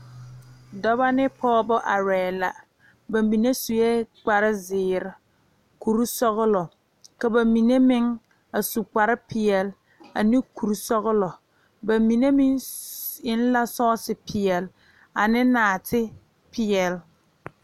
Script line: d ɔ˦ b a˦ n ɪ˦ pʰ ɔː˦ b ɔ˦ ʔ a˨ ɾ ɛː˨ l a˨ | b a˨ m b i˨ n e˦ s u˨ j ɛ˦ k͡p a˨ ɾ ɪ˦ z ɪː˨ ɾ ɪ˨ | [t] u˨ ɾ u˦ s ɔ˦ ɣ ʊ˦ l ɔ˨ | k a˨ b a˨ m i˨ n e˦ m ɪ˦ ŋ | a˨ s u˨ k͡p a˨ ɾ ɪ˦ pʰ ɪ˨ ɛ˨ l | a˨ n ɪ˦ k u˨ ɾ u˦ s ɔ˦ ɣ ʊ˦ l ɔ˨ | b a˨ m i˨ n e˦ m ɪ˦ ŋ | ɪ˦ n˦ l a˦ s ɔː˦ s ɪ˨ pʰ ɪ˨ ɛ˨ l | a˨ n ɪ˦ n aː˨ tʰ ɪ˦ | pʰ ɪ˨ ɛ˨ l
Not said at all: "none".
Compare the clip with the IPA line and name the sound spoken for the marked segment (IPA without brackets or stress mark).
k